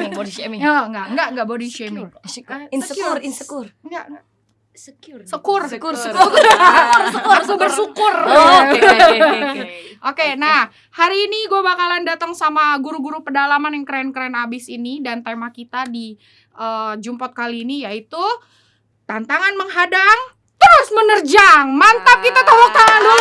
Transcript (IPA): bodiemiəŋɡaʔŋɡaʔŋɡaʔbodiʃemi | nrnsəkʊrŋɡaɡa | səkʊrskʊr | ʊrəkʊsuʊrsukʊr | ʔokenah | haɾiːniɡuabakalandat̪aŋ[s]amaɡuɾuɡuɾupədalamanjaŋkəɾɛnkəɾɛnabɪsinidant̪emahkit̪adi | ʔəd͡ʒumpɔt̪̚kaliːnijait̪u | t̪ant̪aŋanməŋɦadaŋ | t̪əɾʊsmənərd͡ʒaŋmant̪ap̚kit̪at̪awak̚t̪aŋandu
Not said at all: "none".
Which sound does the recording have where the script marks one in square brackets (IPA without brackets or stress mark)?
s